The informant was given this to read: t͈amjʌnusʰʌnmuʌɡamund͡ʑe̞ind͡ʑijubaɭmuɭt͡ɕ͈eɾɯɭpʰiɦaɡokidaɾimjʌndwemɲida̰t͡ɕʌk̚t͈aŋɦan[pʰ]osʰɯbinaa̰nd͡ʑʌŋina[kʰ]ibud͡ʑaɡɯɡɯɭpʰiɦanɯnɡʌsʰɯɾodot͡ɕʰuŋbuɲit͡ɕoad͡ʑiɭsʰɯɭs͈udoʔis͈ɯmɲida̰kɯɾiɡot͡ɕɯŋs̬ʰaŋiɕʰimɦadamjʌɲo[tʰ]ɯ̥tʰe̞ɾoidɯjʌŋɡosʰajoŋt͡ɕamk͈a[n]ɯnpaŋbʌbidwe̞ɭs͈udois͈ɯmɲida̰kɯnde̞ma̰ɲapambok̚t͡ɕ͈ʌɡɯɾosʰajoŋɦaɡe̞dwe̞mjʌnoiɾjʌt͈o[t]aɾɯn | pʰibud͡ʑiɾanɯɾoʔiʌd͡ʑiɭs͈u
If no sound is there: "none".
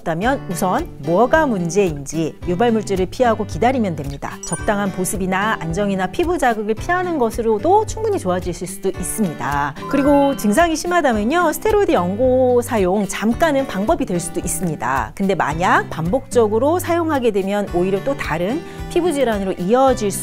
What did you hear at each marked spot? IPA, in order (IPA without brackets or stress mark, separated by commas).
p, pʰ, sʰ, n, t